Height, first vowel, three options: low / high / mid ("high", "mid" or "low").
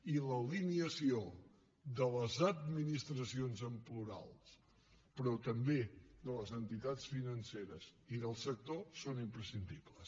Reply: high